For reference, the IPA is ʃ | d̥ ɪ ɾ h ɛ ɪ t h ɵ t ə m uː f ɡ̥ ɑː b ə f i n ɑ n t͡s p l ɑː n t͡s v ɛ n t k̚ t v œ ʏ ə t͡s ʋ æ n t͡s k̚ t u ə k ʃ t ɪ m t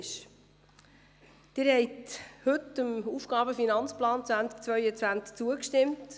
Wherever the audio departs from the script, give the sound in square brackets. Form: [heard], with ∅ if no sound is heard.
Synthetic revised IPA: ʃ | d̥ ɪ ɾ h ɛ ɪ t h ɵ t ə m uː f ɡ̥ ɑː b ə f i n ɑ n t͡s p l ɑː n t͡s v [æ] n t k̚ [t͡s] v œ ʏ ə t͡s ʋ æ n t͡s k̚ [t͡s] u ə k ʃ t ɪ m t

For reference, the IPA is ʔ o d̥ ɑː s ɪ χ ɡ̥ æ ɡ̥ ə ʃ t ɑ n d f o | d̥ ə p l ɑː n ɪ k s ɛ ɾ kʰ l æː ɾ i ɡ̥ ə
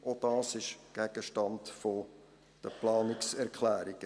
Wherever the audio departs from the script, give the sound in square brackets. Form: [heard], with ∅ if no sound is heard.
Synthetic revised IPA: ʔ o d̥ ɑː s ɪ [ʃ] ɡ̥ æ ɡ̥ ə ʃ t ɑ n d f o | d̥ ə p l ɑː n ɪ k s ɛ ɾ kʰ l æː ɾ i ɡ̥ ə

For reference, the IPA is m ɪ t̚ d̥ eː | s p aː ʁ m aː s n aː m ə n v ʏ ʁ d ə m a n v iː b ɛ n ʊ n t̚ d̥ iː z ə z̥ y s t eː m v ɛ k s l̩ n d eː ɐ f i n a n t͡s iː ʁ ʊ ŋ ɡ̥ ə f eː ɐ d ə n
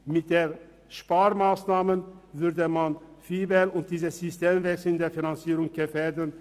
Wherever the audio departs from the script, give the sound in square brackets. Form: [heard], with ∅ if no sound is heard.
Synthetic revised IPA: m ɪ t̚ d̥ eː | [ʃ] p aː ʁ m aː s n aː m ə n v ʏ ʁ d ə m a n [f] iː b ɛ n ʊ n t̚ d̥ iː z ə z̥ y s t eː m v ɛ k s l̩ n d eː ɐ f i n a n t͡s iː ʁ ʊ ŋ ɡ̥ ə f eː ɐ d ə n

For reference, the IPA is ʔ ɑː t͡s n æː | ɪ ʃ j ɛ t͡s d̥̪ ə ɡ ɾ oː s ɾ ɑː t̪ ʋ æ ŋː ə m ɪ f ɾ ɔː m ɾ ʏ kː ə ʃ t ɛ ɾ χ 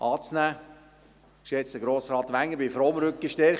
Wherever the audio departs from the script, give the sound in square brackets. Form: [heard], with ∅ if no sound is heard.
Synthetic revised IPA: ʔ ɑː t͡s n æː | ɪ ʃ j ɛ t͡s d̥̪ ə ɡ ɾ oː s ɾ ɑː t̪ ʋ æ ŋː ə [b] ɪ f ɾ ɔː m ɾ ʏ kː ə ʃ t ɛ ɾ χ

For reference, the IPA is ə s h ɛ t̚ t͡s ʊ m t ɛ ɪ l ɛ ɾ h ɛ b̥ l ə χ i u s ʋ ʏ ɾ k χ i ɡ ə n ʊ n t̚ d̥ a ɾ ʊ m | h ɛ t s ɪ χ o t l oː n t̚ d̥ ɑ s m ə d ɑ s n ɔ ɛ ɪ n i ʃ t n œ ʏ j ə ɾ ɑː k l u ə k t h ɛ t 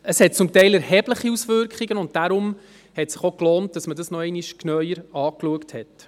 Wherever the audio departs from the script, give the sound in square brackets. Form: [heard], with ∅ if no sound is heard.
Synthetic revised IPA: ə s h ɛ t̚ t͡s ʊ m t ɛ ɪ l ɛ ɾ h ɛ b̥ l ə χ i u s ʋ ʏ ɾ k χ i ɡ ə n ʊ n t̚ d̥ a ɾ ʊ m | h ɛ t s ɪ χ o [k] l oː n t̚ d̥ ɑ s m ə d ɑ s n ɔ ɛ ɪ n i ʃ [k] n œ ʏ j ə ɾ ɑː k l u ə k t h ɛ t

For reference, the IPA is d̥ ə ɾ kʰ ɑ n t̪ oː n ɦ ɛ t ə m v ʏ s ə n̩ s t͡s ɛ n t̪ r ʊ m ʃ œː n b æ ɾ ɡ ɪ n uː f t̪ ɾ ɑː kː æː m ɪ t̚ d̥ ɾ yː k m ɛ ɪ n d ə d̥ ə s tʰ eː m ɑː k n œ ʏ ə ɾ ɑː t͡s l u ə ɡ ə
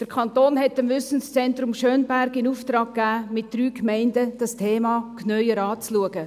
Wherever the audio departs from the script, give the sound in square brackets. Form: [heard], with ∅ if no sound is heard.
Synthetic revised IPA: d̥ ə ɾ kʰ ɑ n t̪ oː n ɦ ɛ t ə m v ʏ s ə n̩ s t͡s ɛ n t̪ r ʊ m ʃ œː n b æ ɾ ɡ ɪ n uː f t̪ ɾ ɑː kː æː m ɪ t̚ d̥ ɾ yː k m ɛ ɪ n d ə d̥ [ɑ] s tʰ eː m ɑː k n œ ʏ ə ɾ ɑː t͡s l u ə ɡ ə

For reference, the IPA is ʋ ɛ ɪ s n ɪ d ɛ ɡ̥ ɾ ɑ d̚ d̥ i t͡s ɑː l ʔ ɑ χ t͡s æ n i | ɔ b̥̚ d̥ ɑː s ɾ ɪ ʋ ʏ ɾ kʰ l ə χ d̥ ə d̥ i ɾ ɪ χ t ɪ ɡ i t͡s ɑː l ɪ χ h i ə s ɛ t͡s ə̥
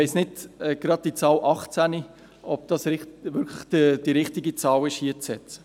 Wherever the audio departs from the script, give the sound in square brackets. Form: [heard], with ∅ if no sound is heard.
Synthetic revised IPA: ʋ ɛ ɪ s n ɪ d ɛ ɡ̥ ɾ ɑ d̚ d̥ i t͡s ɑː l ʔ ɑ χ t͡s æ n i | ɔ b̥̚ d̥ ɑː s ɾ ɪ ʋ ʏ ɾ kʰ l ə χ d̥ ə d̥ i ɾ ɪ χ t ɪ ɡ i t͡s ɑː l ɪ [ʃ] h i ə [t͡s] ɛ t͡s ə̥

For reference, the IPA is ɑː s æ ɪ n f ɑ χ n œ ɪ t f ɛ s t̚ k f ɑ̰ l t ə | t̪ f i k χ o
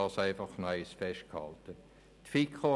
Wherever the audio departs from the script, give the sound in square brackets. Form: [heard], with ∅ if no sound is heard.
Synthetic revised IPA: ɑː s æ ɪ [∅] f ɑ χ n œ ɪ [s] f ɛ [ʃ] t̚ k [h] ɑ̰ l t ə | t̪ f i k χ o

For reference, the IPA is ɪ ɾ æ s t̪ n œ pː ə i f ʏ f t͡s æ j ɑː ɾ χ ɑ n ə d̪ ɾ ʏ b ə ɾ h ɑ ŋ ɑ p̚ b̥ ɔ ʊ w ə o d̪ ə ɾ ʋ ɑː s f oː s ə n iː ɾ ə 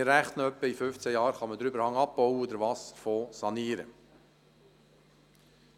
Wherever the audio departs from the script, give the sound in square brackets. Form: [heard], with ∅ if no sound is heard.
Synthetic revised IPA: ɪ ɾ æ [χ] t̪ n œ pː ə i f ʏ f t͡s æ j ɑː ɾ χ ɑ [m] ə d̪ ɾ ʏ b ə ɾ h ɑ ŋ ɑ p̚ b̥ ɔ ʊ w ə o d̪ ə ɾ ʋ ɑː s f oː s [ɑ] n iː ɾ ə

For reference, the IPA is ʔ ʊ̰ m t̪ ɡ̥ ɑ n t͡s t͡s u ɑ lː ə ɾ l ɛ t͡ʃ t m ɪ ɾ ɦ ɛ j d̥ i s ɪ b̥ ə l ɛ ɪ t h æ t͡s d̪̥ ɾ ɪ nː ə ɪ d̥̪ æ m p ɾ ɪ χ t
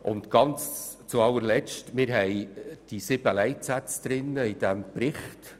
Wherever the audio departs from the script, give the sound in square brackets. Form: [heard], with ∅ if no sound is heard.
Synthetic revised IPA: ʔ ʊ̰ [n] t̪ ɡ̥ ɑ n t͡s t͡s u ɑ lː ə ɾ l ɛ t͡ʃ t m ɪ ɾ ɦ ɛ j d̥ i s ɪ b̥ ə l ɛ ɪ t [s] æ t͡s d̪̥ ɾ ɪ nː ə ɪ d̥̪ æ m p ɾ ɪ χ t

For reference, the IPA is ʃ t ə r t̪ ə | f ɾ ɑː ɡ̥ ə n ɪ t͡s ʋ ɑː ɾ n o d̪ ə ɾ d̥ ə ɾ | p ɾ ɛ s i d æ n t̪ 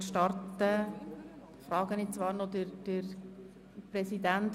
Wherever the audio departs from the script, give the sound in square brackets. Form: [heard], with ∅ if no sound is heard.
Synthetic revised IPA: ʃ t [ɑ] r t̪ ə | f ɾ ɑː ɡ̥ ə n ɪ t͡s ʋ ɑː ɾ n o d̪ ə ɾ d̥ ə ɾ | p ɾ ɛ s i d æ n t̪

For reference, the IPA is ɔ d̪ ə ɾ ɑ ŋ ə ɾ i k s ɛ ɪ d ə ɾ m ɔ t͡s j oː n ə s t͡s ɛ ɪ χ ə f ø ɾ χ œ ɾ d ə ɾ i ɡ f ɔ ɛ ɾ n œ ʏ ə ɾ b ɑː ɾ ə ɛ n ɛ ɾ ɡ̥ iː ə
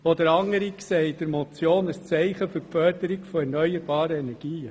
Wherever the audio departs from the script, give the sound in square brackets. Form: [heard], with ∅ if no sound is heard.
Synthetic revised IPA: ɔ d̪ ə ɾ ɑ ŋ ə ɾ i k s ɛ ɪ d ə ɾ m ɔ t͡s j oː n ə s t͡s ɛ ɪ χ ə f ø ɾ [f] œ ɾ d ə ɾ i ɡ f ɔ ɛ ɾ n œ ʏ ə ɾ b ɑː ɾ ə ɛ n ɛ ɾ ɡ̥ iː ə

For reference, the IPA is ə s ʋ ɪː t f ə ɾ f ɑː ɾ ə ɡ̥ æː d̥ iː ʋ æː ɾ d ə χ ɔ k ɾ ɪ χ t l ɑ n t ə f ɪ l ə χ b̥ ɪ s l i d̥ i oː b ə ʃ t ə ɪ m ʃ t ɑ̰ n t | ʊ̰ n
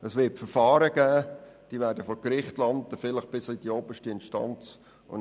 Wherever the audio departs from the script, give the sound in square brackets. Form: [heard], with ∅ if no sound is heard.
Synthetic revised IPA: ə s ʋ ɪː t f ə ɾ f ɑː ɾ ə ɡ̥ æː d̥ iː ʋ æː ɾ d ə [f] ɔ k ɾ ɪ χ t l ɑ n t ə f ɪ l ə χ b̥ ɪ s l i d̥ i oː b ə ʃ t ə ɪ [n] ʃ t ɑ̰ n [t͡s] | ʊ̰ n

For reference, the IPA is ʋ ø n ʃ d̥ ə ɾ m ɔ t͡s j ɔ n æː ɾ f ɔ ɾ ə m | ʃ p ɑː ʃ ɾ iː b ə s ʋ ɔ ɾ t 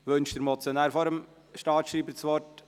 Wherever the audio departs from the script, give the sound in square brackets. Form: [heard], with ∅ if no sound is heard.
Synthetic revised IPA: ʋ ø n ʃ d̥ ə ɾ m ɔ t͡s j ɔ n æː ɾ f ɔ ɾ ə m | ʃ [t] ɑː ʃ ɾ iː b ə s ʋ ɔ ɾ t

